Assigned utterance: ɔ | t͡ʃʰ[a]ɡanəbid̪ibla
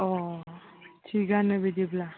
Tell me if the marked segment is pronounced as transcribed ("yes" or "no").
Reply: no